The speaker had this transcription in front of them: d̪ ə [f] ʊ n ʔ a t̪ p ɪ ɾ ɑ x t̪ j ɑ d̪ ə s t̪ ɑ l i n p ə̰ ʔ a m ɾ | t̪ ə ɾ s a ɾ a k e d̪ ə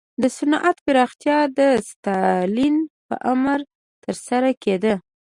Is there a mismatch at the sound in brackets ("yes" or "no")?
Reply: yes